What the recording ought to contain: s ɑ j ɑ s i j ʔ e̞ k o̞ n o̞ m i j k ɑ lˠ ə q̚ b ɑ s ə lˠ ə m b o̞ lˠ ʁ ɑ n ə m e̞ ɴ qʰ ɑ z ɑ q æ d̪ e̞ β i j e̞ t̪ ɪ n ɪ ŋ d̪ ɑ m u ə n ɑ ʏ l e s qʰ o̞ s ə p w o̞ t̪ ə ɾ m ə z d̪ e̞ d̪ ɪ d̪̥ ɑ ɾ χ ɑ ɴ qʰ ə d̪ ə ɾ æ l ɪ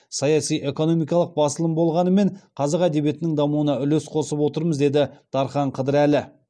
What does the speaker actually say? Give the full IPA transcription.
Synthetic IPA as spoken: s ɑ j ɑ s i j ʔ e̞ k o̞ n o̞ m i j k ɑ lˠ ə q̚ b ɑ s ə lˠ ə m b o̞ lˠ ʁ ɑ n ə m e̞ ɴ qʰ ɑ z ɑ q æ d̪ e̞ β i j e̞ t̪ ɪ n ɪ ŋ d̪ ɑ m u ə n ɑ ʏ l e s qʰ o̞ s ə p w o̞ t̪ ə ɾ m ə z d̪ e̞ d̪ ɪ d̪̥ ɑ ɾ χ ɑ ɴ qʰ ə d̪ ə ɾ æ l ɪ